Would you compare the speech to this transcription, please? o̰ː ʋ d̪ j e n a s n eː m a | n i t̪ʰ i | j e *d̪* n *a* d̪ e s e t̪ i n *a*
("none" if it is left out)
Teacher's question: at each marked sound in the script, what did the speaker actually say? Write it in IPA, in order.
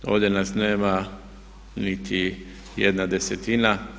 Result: d̪, a, a

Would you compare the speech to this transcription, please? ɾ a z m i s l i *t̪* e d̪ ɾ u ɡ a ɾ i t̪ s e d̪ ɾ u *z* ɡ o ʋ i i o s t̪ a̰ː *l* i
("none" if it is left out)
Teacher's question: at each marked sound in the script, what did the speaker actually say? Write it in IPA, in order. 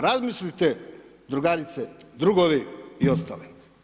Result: t̪, none, l

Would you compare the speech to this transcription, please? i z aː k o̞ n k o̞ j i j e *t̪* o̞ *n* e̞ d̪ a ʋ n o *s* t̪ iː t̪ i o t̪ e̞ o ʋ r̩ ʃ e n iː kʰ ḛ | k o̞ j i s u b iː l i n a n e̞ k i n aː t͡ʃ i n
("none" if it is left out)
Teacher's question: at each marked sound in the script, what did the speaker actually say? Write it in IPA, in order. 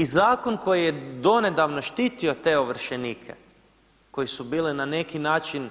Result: d̪, n, ʃ

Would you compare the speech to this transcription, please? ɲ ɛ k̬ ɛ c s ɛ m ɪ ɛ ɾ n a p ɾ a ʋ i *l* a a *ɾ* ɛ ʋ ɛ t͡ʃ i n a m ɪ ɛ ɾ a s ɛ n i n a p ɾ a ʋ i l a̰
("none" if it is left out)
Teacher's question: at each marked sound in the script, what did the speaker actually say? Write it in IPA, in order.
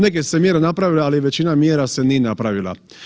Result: l, l

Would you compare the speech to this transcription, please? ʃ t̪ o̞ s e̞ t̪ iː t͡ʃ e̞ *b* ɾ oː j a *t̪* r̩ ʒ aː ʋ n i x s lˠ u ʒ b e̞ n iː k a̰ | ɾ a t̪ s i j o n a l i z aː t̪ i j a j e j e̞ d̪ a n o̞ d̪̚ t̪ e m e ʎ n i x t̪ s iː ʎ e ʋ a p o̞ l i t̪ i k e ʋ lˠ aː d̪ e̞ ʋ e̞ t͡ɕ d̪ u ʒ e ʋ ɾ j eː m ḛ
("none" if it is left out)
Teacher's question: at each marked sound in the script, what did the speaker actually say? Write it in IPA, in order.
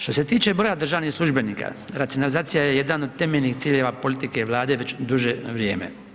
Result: b, d̪

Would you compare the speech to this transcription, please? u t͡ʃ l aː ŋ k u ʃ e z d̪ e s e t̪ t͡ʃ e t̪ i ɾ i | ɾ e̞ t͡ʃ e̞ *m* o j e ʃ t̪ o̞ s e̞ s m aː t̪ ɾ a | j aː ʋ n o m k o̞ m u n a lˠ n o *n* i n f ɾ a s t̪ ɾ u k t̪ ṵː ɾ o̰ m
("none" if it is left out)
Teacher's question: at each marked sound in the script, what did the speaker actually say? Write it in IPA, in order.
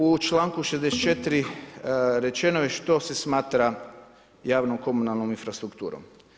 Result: n, m

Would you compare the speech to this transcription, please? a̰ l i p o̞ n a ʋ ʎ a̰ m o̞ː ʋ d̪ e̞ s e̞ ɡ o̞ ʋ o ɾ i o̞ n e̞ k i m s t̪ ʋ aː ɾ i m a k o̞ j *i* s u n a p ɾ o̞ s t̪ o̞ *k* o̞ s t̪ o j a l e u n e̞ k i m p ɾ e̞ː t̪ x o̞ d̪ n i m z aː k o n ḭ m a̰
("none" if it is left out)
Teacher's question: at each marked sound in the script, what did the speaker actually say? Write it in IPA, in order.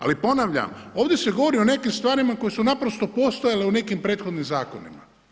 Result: e, p

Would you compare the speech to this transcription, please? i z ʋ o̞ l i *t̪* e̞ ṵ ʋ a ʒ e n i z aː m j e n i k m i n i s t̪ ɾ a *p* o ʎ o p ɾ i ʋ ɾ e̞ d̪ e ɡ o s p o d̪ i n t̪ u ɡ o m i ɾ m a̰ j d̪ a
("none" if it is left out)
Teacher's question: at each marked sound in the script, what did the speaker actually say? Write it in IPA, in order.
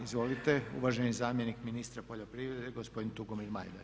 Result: t̪, p

